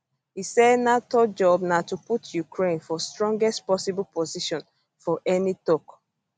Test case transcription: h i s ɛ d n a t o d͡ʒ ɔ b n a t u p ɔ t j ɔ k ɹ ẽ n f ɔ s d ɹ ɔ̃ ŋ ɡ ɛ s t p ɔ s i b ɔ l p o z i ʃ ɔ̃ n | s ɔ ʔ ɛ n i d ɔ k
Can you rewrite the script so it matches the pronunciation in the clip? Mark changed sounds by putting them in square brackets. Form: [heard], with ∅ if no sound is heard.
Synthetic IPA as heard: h i s ɛ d n a t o d͡ʒ ɔ b n a t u p [u] t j [u] k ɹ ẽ n f ɔ s [t] ɹ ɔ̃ ŋ ɡ ɛ s t p ɔ s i b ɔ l p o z i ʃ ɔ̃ n | [f] ɔ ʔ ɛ n i [t] ɔ k